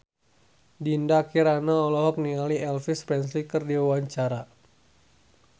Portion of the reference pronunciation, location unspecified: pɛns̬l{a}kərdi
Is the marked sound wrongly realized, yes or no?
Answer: yes